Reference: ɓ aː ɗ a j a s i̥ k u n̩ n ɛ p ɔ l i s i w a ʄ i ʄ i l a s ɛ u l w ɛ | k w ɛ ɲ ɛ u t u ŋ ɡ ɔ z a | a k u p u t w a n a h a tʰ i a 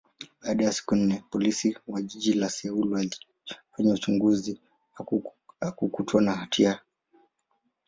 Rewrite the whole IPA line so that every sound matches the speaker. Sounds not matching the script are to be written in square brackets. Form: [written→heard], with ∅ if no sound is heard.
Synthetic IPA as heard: ɓ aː ɗ a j a s i̥ k u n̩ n ɛ p ɔ l i s i w a ʄ i ʄ i l a s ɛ u l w [ɛ→a] | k w ɛ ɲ ɛ u [t→t͡ʃ] u ŋ ɡ [ɔ→u] z [a→i] | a k u [p→k] u t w a n a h a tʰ i a